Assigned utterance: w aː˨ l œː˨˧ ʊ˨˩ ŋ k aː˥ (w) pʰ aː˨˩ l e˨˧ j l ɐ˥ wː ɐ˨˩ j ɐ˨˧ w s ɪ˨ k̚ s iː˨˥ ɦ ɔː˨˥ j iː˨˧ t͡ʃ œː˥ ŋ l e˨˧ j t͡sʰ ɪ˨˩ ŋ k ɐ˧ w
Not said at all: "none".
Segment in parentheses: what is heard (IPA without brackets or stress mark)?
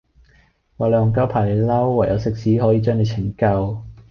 w